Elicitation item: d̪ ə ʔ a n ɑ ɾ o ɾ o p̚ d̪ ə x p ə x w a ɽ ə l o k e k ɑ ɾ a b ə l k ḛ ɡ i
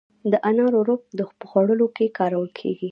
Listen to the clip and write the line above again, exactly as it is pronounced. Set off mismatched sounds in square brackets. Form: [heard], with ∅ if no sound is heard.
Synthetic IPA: d̪ ə ʔ a n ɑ ɾ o ɾ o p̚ d̪ ə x p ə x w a ɽ ə l o k e k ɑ ɾ a [w] ə l [kʰ] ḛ ɡ i